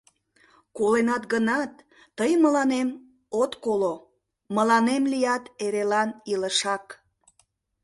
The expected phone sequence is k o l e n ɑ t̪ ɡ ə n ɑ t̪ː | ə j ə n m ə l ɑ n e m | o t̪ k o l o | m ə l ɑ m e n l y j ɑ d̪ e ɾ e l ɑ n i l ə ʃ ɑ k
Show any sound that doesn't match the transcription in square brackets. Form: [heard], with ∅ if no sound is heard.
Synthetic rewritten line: k o l e n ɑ t̪ ɡ ə n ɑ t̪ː | ə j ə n m ə l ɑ n e m | o t̪ k o l o | m ə l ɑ [n] e [m] l [i] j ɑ [t̪] e ɾ e l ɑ n i l ə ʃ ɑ k

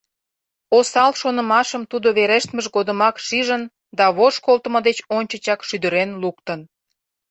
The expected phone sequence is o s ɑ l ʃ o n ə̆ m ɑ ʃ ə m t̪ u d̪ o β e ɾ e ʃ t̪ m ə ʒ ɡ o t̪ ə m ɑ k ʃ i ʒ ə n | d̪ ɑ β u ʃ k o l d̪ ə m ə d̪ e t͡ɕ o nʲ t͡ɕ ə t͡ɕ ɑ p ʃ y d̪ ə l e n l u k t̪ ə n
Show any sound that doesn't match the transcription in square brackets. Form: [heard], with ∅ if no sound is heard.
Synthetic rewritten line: o s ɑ l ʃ o n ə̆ m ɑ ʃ ə m t̪ u d̪ o β e ɾ e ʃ t̪ m ə ʒ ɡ o [d̪] ə m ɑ k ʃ i ʒ ə n | d̪ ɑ β [o] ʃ k o l [t̪] ə m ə d̪ e t͡ɕ o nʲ t͡ɕ ə t͡ɕ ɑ [k] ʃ y d̪ ə [ɾ] e n l u k t̪ ə n

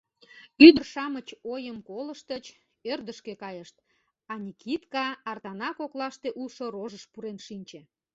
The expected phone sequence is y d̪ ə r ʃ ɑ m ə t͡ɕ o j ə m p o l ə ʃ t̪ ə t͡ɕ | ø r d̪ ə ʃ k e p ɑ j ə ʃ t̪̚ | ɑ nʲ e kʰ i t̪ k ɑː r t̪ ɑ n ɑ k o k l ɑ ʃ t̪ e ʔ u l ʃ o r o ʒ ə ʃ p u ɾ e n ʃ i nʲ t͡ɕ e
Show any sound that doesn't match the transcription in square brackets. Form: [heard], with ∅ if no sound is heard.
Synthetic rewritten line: y d̪ ə r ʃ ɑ m ə t͡ɕ o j ə m [k] o l ə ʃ t̪ ə t͡ɕ | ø r d̪ ə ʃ k e [k] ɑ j ə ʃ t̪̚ | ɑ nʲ [i] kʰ i t̪ k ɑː r t̪ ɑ n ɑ k o k l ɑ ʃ t̪ e ʔ u l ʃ o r o ʒ ə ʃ p u ɾ e n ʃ i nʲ t͡ɕ e

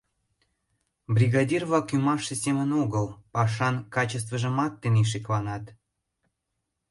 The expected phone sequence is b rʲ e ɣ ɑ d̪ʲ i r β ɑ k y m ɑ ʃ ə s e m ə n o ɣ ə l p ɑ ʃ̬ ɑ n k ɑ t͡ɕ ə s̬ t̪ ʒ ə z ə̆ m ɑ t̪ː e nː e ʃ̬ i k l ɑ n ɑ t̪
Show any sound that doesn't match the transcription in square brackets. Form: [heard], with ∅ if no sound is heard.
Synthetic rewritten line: b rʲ [i] ɣ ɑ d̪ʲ i r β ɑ k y m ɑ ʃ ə s e m ə n o ɣ ə l p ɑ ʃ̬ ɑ n k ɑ t͡ɕ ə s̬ t̪ [v] ə [ʒ] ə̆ m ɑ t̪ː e [n] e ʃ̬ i k l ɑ n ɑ t̪

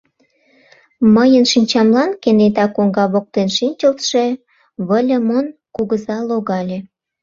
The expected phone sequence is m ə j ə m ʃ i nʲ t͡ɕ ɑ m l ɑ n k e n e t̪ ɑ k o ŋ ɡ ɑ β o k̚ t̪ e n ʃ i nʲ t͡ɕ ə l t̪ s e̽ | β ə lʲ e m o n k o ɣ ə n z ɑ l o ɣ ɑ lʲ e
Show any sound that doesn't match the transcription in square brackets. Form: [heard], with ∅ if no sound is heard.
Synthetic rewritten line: m ə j ə [n] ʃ i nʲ t͡ɕ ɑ m l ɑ n k e n e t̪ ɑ k o ŋ ɡ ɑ β o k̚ t̪ e n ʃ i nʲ t͡ɕ ə l t̪ [ʃ] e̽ | β ə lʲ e m o n k [u] ɣ ə [∅] z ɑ l o ɣ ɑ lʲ e

